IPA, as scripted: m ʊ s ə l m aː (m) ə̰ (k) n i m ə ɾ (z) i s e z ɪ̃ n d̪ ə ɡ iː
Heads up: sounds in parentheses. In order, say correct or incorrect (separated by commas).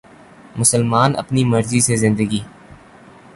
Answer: incorrect, incorrect, correct